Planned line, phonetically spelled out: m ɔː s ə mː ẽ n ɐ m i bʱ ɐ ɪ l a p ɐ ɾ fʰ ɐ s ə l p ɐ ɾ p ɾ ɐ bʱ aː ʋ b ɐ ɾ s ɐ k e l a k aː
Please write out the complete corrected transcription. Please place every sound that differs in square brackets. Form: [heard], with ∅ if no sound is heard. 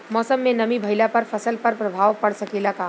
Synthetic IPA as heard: m ɔː s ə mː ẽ n ɐ m i bʱ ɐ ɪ l a p ɐ ɾ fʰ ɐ s ə l p ɐ ɾ p ɾ ɐ bʱ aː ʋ [p] ɐ [ɽ] s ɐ k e l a k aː